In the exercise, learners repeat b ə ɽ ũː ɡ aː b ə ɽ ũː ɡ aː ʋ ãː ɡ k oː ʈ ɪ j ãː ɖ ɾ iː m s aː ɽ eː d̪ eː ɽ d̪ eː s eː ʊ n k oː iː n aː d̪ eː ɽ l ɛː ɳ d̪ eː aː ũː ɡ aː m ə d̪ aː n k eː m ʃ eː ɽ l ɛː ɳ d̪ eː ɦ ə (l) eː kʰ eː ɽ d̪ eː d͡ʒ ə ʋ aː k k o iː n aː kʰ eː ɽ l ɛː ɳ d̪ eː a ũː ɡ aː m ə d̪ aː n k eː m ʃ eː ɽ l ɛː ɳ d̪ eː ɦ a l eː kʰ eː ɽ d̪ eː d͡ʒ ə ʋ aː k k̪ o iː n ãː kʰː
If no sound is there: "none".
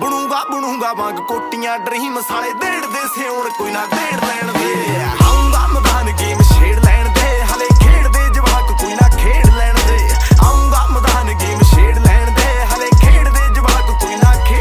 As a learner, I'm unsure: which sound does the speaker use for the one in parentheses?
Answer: l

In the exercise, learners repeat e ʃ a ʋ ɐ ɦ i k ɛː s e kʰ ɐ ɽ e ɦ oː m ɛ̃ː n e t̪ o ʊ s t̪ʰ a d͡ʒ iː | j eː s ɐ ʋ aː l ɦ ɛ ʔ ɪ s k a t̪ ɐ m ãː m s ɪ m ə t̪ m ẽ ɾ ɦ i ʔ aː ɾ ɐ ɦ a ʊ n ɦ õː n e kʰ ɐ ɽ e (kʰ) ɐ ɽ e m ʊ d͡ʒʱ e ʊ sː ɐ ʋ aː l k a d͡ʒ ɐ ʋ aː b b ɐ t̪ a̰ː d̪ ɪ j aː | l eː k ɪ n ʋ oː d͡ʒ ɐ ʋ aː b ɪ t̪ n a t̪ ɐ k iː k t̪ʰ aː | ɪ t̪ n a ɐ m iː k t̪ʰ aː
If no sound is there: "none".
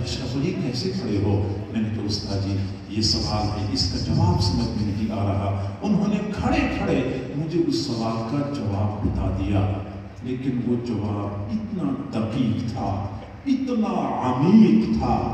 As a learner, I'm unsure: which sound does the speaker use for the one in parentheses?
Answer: kʰ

